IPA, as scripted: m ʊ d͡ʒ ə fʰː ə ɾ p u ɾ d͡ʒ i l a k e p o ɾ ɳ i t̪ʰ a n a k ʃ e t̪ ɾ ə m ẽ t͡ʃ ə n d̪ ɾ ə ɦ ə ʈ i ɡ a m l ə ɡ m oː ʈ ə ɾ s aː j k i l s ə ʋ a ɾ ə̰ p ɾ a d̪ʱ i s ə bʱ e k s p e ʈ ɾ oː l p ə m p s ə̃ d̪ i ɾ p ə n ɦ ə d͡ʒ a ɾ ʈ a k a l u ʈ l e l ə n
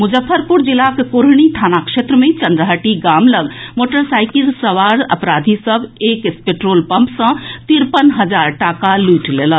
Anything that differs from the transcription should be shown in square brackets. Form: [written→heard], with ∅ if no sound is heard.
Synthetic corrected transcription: m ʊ d͡ʒ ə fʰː ə ɾ p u ɾ d͡ʒ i l a k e [p→k] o ɾ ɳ i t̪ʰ a n a k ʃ e t̪ ɾ ə m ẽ t͡ʃ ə n d̪ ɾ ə ɦ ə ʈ i ɡ a m l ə ɡ m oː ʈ ə ɾ s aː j k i l s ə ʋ a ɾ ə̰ p ɾ a d̪ʱ i s ə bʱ e k s p e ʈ ɾ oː l p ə m p s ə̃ [d̪→t̪] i ɾ p ə n ɦ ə d͡ʒ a ɾ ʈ a k a l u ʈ l e l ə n